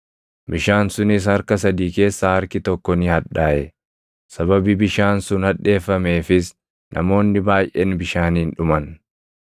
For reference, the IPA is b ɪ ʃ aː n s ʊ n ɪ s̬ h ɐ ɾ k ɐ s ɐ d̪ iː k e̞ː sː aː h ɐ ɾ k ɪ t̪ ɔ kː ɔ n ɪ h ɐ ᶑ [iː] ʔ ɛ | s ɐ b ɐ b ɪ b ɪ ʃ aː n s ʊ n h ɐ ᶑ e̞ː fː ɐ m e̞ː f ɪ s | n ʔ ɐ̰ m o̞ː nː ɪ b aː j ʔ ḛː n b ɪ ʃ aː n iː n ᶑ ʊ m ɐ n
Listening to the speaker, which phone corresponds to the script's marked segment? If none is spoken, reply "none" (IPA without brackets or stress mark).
aː